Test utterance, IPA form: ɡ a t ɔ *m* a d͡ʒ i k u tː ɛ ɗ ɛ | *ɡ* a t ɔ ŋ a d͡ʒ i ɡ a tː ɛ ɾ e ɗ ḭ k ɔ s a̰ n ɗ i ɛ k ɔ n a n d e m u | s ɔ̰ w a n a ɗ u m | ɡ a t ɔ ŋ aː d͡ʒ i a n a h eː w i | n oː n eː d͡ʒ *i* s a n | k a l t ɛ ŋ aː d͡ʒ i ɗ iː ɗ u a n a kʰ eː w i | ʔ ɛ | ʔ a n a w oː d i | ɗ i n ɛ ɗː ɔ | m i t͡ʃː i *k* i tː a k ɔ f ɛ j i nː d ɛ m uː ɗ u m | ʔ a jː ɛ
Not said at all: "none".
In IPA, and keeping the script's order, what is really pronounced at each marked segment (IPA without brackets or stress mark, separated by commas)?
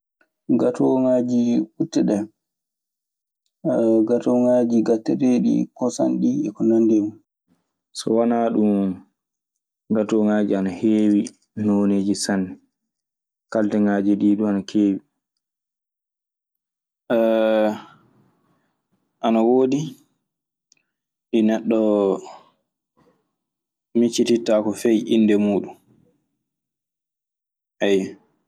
ŋ, ɡ, i, t